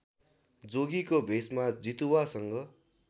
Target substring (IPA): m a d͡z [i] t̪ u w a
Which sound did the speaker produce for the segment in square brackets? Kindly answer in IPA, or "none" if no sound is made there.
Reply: i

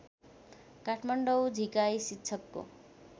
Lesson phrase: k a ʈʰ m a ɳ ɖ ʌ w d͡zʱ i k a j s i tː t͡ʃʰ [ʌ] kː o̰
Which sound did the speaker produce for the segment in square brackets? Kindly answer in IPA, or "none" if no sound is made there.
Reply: ʌ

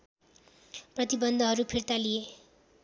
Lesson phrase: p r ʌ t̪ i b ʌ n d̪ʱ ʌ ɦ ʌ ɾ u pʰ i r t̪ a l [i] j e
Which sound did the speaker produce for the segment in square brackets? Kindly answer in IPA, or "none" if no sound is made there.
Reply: i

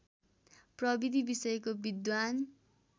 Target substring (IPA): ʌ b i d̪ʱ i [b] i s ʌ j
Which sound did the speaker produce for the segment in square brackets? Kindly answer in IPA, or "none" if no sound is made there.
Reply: b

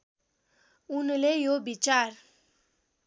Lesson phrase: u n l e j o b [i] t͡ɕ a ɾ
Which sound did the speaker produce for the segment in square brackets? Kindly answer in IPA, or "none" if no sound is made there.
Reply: i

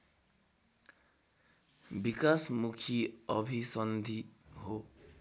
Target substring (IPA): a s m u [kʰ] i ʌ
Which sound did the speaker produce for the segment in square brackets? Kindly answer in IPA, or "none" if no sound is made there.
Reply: kʰ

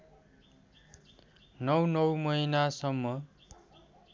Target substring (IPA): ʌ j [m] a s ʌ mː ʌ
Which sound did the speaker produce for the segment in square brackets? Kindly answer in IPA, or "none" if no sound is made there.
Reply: n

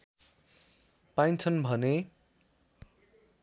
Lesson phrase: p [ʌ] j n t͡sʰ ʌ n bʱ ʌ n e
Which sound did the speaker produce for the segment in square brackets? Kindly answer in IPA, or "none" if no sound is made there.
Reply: a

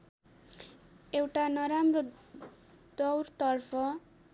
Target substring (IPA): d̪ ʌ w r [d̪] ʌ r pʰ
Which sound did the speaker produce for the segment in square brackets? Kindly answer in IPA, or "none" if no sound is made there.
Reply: t̪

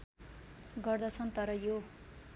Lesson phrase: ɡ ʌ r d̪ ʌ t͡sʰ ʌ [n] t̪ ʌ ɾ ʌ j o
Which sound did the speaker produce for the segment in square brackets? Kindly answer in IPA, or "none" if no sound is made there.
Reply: n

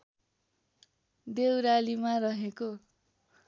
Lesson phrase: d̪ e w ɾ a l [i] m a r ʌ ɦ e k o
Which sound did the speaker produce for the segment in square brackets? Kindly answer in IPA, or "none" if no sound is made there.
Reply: i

